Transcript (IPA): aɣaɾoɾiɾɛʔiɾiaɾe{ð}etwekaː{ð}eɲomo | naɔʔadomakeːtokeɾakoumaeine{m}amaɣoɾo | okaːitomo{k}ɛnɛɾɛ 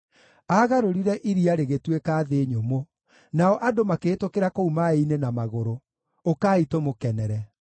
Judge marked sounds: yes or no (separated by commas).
no, yes, no, yes